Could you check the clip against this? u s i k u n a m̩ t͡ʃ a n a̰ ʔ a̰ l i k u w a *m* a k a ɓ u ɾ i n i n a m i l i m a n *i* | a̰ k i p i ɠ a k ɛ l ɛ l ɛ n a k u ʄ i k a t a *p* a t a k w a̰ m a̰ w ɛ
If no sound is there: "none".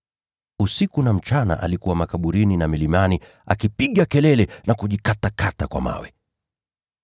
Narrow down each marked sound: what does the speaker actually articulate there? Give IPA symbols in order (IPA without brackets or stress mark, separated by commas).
m, i, k